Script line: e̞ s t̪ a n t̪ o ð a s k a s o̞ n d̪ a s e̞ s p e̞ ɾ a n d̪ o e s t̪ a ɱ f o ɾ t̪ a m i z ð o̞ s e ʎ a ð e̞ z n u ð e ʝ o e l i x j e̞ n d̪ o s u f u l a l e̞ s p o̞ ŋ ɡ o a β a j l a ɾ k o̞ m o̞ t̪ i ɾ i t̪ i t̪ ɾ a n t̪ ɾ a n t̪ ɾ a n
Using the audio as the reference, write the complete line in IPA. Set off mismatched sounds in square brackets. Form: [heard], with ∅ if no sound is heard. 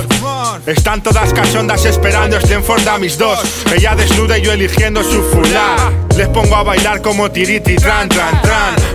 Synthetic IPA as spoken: e̞ s t̪ a n t̪ o ð a s k a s o̞ n d̪ a s e̞ s p e̞ ɾ a n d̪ o e s t̪ [e] ɱ f o ɾ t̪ a m i z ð o̞ s e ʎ a ð e̞ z n u ð e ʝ o e l i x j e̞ n d̪ o s u f u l a l e̞ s p o̞ ŋ ɡ o a β a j l a ɾ k o̞ m o̞ t̪ i ɾ i t̪ i t̪ ɾ a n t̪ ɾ a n t̪ ɾ a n